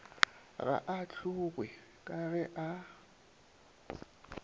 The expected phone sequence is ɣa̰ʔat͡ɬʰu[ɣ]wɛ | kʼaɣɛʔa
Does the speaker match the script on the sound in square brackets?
yes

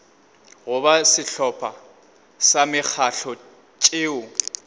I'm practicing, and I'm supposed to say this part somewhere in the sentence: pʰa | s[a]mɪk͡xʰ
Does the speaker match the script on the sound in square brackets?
yes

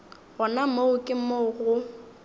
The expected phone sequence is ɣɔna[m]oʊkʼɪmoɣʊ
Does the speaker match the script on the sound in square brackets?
yes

